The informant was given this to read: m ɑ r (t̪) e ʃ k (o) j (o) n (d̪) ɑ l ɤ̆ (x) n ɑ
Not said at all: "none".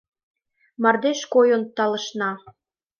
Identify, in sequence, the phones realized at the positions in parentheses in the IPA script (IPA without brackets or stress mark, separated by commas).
d̪, o, o, t̪, ʃ